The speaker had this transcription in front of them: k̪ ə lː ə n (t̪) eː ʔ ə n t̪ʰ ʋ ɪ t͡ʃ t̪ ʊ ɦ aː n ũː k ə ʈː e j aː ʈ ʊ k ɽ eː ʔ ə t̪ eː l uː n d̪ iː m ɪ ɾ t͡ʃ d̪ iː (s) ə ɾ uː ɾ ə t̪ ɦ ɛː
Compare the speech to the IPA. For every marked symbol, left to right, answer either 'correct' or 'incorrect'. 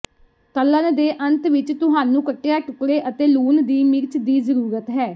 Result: incorrect, incorrect

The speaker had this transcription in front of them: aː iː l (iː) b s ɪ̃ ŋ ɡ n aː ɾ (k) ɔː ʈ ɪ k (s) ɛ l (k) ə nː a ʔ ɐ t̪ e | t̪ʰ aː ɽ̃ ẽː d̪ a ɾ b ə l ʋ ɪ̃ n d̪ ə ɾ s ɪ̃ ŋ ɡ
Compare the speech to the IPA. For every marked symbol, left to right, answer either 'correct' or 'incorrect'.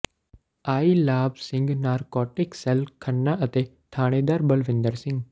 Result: incorrect, correct, correct, incorrect

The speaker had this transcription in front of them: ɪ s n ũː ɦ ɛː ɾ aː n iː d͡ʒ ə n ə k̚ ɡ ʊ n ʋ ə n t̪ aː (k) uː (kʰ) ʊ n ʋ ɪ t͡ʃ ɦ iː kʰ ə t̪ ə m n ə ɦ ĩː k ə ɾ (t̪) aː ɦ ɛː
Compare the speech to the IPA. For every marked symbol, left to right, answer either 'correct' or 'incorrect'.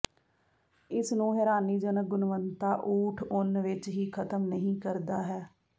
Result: incorrect, incorrect, incorrect

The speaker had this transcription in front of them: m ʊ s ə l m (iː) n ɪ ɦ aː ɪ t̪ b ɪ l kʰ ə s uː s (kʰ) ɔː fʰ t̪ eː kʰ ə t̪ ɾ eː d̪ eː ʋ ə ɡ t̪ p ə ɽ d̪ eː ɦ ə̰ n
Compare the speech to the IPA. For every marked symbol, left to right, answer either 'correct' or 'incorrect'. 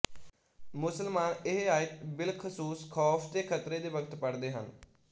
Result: incorrect, correct

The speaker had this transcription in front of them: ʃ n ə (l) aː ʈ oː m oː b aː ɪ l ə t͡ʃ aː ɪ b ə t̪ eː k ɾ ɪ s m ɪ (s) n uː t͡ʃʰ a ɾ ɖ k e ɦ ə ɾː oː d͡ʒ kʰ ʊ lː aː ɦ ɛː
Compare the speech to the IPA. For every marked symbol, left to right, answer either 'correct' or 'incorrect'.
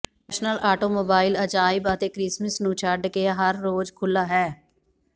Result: correct, correct

